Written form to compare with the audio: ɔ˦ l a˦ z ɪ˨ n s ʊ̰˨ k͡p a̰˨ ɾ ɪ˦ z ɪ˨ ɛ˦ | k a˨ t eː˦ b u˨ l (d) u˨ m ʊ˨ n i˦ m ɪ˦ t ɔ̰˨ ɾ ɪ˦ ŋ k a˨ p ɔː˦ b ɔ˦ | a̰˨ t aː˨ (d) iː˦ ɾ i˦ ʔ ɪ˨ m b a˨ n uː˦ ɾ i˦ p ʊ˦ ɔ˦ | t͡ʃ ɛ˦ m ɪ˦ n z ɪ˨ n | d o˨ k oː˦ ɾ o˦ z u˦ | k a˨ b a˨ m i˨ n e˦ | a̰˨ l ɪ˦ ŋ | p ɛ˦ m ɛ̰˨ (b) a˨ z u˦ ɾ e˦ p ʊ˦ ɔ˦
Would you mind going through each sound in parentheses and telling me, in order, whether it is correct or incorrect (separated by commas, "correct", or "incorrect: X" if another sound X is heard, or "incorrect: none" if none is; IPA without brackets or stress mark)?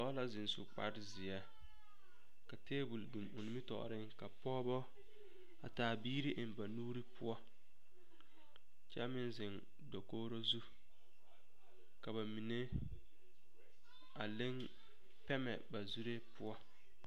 correct, incorrect: b, correct